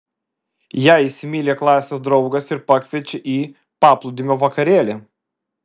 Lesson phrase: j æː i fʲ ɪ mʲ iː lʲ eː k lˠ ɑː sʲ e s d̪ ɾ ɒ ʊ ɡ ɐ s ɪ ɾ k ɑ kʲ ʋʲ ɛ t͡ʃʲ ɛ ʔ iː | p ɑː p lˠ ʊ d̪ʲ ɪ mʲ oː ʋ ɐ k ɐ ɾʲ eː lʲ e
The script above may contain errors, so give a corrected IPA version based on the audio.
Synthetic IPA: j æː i sʲ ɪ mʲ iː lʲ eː k lˠ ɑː sʲ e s d̪ ɾ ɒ ʊ ɡ ɐ s ɪ ɾ p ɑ kʲ ʋʲ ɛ t͡ʃʲ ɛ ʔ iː | p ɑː p lˠ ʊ d̪ʲ ɪ mʲ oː ʋ ɐ k ɐ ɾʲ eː lʲ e